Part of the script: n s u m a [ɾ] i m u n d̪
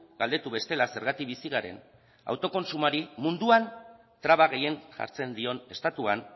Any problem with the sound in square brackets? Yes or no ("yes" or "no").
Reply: no